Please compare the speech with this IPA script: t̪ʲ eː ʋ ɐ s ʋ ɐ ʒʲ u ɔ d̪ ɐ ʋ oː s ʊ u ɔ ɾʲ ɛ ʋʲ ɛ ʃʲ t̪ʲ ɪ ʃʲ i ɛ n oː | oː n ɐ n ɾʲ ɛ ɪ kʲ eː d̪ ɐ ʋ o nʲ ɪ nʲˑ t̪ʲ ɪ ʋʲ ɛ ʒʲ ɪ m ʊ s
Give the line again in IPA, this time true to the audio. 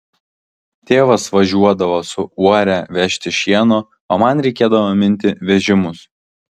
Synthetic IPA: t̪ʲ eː ʋ ɐ s ʋ ɐ ʒʲ u ɔ d̪ ɐ ʋ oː s ʊ u ɔ ɾʲ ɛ ʋʲ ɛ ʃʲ t̪ʲ ɪ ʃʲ i ɛ n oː | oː m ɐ n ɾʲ ɛ ɪ kʲ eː d̪ ɐ ʋ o mʲ ɪ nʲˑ t̪ʲ ɪ ʋʲ ɛ ʒʲ ɪ m ʊ s